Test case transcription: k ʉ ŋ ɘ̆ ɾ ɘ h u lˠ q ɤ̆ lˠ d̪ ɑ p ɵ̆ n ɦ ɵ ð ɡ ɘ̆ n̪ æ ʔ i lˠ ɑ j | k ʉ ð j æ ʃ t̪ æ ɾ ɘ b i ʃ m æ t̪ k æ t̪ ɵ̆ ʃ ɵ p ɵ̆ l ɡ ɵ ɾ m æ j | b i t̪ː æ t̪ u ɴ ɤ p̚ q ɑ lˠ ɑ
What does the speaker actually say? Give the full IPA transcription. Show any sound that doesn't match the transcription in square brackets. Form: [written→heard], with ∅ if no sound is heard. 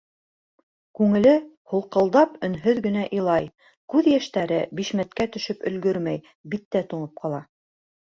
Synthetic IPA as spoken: k ʉ ŋ ɘ̆ [ɾ→l] ɘ h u lˠ q ɤ̆ lˠ d̪ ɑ p ɵ̆ n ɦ ɵ ð ɡ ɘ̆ n̪ æ ʔ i lˠ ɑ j | k ʉ ð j æ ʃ t̪ æ ɾ ɘ b i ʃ m æ t̪ k æ t̪ ɵ̆ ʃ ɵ p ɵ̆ l ɡ ɵ ɾ m æ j | b i t̪ː æ t̪ u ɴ ɤ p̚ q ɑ lˠ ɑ

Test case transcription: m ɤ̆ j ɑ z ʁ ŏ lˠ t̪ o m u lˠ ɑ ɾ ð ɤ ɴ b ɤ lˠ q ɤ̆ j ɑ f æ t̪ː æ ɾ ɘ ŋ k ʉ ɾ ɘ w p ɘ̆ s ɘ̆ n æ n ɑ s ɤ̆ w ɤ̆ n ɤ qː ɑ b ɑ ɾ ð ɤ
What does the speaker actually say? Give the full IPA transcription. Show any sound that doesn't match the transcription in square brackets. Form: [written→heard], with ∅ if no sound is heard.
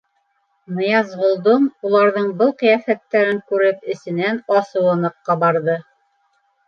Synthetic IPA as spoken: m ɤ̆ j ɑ z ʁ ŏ lˠ [t̪→d̪] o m u lˠ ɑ ɾ ð ɤ ɴ b ɤ lˠ q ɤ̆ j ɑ f æ t̪ː æ ɾ ɘ ŋ k ʉ ɾ ɘ [w→∅] p ɘ̆ s ɘ̆ n æ n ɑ s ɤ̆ w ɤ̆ n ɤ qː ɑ b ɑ ɾ ð ɤ

